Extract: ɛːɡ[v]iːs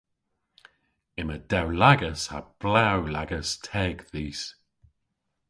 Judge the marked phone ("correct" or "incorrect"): incorrect